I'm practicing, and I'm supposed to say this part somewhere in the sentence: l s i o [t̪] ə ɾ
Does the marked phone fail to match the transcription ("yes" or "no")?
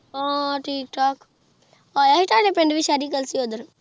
yes